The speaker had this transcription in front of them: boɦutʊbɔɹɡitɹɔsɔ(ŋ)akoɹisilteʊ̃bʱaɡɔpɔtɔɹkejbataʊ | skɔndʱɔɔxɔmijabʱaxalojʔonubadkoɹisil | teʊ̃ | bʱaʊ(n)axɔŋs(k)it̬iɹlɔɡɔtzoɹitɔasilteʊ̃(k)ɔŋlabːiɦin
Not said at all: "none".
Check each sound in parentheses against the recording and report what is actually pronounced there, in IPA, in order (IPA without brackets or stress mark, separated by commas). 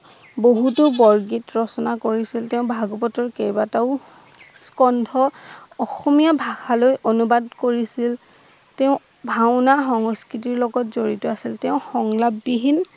n, n, k, x